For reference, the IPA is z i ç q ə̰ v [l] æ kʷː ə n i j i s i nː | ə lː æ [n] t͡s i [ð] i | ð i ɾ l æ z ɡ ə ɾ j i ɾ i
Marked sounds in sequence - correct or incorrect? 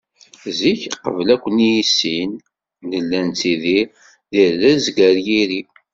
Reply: correct, correct, correct

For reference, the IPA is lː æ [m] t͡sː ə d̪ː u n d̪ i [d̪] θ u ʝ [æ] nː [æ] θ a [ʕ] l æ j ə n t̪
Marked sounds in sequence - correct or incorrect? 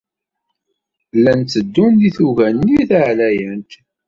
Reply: incorrect: n, incorrect: none, correct, incorrect: i, correct

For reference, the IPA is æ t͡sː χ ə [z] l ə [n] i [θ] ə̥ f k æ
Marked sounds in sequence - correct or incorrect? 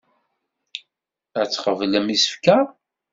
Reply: incorrect: v, incorrect: m, incorrect: s

